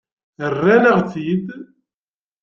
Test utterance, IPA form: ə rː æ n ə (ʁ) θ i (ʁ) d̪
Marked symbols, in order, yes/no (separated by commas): yes, no